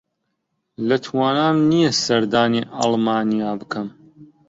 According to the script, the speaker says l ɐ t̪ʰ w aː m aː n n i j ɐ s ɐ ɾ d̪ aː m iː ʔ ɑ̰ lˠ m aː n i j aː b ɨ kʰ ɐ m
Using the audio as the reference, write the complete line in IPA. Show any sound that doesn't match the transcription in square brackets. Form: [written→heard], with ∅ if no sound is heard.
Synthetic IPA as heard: l ɐ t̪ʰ w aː [m→n] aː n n i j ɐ s ɐ ɾ d̪ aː [m→n] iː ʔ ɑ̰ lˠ m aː n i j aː b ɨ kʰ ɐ m